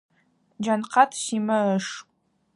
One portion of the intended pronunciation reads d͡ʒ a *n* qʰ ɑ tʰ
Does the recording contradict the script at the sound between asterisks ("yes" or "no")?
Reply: no